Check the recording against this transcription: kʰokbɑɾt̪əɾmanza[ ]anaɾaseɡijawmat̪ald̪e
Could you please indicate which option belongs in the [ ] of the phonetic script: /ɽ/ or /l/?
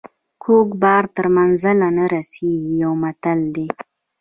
l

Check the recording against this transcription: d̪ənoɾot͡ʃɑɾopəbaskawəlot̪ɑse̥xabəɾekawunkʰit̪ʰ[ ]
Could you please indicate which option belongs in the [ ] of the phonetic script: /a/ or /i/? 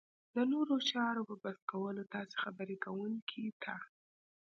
a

